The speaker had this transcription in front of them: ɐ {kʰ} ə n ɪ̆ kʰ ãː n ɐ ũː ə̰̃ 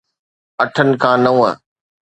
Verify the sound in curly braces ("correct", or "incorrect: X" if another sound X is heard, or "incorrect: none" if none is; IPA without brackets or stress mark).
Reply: incorrect: ʈʰ